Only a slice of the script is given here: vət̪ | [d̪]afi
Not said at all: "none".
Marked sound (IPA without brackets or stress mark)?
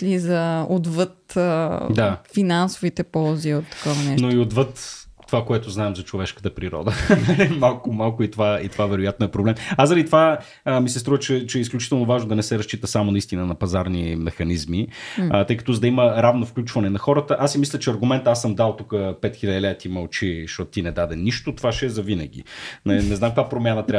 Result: d̪